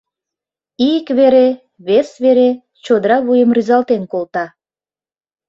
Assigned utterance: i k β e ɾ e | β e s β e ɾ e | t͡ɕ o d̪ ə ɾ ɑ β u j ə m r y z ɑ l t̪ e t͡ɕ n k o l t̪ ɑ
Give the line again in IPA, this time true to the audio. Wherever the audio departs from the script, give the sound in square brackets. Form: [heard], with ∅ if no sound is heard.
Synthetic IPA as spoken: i k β e ɾ e | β e s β e ɾ e | t͡ɕ o d̪ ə ɾ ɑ β u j ə m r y z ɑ l t̪ e [∅] n k o l t̪ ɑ